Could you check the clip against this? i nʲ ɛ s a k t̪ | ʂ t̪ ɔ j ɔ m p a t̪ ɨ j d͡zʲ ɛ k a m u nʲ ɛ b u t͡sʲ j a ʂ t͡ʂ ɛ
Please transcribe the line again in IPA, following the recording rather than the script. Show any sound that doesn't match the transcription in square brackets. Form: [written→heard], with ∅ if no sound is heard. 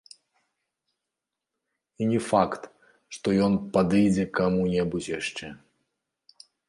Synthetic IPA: i nʲ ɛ [s→f] a k t̪ | ʂ t̪ ɔ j ɔ [m→n] p a [t̪→d̪] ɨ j d͡zʲ ɛ k a m u nʲ ɛ b u t͡sʲ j a ʂ t͡ʂ ɛ

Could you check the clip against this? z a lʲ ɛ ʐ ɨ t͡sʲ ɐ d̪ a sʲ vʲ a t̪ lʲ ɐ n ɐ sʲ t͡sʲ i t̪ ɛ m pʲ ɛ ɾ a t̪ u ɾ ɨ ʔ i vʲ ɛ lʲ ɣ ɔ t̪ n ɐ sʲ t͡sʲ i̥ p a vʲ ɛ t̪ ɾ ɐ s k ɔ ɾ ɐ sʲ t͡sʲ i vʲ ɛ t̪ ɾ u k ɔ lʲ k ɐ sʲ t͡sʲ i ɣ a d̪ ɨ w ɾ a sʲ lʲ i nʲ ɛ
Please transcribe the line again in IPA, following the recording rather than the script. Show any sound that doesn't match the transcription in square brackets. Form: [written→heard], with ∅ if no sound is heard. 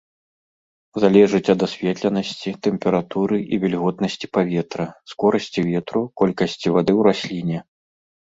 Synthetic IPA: z a lʲ ɛ ʐ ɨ t͡sʲ ɐ d̪ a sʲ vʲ [a→ɛ] t̪ lʲ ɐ n ɐ sʲ t͡sʲ i t̪ ɛ m pʲ ɛ ɾ a t̪ u ɾ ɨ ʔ i vʲ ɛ lʲ ɣ ɔ t̪ n ɐ sʲ t͡sʲ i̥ p a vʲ ɛ t̪ ɾ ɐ s k ɔ ɾ ɐ sʲ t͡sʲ i vʲ ɛ t̪ ɾ u k ɔ lʲ k ɐ sʲ t͡sʲ i [ɣ→v] a d̪ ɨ w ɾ a sʲ lʲ i nʲ ɛ

